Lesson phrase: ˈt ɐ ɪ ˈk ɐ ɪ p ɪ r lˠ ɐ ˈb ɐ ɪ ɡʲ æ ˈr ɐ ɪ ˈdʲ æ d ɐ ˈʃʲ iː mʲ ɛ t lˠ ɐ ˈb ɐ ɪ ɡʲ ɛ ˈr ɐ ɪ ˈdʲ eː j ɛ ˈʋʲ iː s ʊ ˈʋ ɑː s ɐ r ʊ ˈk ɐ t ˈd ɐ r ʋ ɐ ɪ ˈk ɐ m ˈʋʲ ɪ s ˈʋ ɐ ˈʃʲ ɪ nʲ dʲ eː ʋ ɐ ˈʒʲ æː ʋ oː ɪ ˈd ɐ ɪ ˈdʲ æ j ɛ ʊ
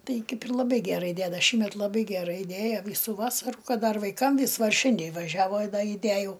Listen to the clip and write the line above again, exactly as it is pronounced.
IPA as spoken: ˈt ɐ ɪ ˈk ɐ ɪ p ɪ r lˠ ɐ ˈb ɐ ɪ ɡʲ æ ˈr ɐ ɪ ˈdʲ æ d ɐ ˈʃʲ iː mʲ ɛ t lˠ ɐ ˈb ɐ ɪ ɡʲ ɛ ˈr ɐ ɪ ˈdʲ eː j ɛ ˈʋʲ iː s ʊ ˈʋ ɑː s ɐ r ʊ ˈk ɐ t ˈd ɐ r ʋ ɐ ɪ ˈk ɐ m ˈʋʲ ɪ s ˈʋ ɐ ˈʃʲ ɪ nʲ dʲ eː ʋ ɐ ˈʒʲ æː ʋ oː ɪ ˈd ɐ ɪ ˈdʲ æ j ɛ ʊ